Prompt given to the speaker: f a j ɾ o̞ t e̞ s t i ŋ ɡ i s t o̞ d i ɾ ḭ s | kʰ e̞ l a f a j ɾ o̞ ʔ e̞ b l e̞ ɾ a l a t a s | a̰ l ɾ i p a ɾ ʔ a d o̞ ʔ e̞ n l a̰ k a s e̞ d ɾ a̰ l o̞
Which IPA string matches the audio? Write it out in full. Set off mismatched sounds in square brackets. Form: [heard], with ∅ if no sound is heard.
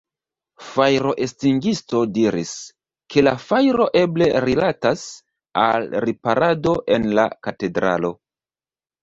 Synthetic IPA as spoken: f a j ɾ o̞ [ʔ] e̞ s t i ŋ ɡ i s t o̞ d i ɾ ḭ s | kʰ e̞ l a f a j ɾ o̞ ʔ e̞ b l e̞ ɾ [i] l a t a s | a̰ l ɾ i p a ɾ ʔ a d o̞ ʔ e̞ n l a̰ k a [t] e̞ d ɾ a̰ l o̞